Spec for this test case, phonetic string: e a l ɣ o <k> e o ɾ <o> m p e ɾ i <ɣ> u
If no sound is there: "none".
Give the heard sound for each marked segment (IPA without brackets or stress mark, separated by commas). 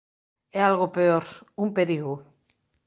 p, u, ɣ